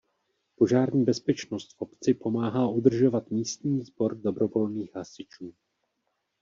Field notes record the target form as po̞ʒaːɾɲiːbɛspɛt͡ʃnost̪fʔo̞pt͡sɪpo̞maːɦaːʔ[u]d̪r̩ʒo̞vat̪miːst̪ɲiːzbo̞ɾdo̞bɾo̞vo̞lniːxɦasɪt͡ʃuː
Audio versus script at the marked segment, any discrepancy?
no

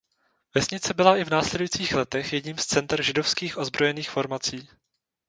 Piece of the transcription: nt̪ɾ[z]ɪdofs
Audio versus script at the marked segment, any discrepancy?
yes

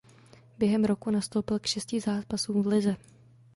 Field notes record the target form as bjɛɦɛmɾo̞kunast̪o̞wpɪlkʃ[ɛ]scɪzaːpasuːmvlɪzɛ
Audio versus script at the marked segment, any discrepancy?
no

